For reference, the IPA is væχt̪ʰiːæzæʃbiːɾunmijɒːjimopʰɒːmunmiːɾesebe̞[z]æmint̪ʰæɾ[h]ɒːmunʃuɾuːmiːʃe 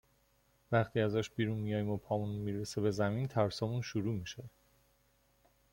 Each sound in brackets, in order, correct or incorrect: correct, incorrect

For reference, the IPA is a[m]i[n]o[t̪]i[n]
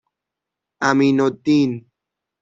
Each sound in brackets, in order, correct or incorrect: correct, correct, correct, correct

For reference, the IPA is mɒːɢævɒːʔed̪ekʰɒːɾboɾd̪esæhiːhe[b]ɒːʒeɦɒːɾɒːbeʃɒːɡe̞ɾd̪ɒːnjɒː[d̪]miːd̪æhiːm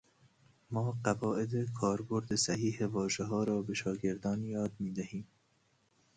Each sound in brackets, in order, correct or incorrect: incorrect, correct

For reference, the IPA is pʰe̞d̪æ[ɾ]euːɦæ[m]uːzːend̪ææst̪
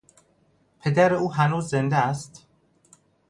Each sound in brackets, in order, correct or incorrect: correct, incorrect

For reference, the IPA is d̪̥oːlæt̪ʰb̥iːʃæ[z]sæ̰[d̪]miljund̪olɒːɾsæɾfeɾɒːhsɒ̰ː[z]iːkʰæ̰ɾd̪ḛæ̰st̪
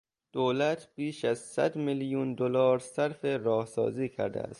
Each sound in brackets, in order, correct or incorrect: correct, correct, correct

